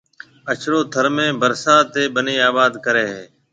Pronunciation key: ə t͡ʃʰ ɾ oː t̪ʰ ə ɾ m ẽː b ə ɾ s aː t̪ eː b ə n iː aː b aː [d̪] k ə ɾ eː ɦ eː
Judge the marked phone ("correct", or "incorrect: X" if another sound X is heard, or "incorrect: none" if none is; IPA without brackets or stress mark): correct